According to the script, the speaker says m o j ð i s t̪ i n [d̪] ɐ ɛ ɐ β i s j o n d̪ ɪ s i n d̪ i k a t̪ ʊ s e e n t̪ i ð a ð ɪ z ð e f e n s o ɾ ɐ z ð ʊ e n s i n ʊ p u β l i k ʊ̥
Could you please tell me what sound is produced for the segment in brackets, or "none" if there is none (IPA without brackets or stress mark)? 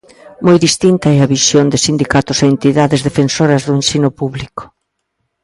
t̪